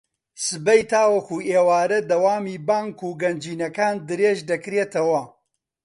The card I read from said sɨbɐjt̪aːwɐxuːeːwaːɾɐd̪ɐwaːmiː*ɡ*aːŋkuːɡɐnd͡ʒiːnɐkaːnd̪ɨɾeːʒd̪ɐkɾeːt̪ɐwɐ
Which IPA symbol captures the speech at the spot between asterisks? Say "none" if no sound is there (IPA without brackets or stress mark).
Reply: b